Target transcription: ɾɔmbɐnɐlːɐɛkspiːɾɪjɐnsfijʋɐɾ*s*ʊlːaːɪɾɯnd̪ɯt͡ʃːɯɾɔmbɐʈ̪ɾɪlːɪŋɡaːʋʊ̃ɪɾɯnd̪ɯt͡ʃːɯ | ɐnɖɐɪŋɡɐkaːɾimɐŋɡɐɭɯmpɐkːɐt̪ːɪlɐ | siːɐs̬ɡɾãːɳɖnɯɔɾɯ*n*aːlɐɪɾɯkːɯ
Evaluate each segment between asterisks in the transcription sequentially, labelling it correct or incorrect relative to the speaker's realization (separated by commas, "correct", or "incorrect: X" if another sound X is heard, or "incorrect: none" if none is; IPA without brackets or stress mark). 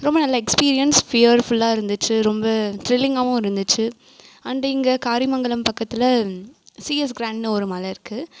incorrect: f, incorrect: m